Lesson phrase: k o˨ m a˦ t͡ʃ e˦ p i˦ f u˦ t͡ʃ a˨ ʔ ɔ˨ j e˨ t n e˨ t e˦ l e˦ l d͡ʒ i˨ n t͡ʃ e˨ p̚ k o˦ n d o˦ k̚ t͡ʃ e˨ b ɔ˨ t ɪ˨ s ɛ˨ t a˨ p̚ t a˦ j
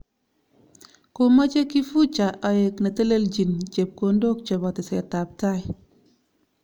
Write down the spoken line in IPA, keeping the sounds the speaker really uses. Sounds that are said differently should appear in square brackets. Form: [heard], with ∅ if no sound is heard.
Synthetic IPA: k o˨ m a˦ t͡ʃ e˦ [k] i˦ f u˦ t͡ʃ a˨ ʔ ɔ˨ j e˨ [k] n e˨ t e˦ l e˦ l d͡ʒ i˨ n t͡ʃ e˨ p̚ k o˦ n d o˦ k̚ t͡ʃ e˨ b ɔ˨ t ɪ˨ s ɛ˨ t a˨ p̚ t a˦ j